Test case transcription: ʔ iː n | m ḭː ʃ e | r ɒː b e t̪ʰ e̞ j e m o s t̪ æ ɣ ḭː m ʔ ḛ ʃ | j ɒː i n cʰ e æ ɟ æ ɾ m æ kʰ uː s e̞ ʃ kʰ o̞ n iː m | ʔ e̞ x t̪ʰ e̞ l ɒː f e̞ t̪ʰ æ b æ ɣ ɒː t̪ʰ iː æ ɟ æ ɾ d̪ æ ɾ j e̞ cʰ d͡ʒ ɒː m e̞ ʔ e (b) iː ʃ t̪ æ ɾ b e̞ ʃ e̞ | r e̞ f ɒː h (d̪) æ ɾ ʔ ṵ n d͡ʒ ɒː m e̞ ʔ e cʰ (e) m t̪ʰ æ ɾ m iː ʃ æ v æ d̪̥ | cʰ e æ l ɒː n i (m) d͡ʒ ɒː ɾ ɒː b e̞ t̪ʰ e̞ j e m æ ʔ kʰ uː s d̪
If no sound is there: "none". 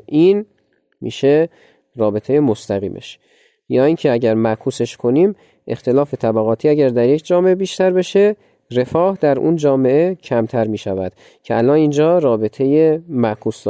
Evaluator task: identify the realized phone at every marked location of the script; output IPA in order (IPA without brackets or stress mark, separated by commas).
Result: b, d̪, æ, n